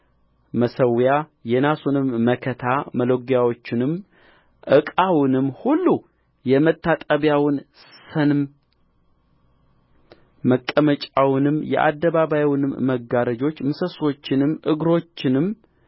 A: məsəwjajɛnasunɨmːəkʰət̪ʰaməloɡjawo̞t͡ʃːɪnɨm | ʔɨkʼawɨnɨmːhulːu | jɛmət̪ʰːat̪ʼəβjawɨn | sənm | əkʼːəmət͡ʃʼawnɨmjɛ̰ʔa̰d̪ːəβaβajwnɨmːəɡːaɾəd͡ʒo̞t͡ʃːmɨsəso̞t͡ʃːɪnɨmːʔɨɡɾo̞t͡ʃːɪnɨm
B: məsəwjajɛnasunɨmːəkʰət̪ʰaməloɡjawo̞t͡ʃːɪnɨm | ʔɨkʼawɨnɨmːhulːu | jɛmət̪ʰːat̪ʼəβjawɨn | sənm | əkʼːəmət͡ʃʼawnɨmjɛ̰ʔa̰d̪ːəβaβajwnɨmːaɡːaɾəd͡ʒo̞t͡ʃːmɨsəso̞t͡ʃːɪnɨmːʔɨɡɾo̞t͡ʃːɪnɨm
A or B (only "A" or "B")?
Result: A